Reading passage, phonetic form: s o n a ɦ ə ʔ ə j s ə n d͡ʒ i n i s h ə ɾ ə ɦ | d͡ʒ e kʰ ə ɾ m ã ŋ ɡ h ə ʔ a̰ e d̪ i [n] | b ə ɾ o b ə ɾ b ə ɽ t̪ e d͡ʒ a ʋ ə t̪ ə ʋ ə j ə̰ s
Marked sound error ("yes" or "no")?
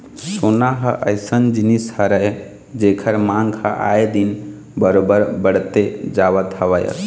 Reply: no